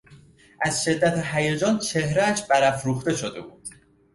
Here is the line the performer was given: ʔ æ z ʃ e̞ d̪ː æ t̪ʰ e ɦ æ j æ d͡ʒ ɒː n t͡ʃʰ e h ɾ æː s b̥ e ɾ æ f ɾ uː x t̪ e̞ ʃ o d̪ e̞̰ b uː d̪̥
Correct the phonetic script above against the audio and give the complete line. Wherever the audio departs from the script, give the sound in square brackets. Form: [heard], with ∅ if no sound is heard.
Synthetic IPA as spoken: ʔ æ z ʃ e̞ d̪ː æ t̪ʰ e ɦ æ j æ d͡ʒ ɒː n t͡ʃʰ e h ɾ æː [ʃ] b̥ [æ] ɾ æ f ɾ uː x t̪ e̞ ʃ o d̪ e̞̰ b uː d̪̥